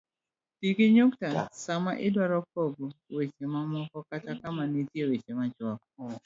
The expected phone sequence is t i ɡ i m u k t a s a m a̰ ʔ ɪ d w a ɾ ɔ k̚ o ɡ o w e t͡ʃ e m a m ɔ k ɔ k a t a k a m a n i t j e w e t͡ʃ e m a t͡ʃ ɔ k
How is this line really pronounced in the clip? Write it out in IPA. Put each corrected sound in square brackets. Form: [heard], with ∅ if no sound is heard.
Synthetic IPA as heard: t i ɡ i [ɲ] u k t a s a m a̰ ʔ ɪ d w a ɾ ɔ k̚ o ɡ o w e t͡ʃ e m a m ɔ k ɔ k a t a k a m a n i t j e w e t͡ʃ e m a t͡ʃ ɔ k